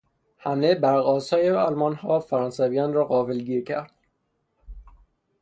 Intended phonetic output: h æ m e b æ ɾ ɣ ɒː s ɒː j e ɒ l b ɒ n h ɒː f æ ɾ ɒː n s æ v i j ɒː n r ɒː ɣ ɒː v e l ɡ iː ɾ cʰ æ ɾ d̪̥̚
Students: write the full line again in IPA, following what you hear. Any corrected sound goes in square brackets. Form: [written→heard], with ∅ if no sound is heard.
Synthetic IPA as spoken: h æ m e b æ ɾ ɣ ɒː s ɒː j e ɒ l [b→m] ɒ n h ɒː f æ ɾ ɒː n s æ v i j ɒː n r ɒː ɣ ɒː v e l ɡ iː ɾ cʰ æ ɾ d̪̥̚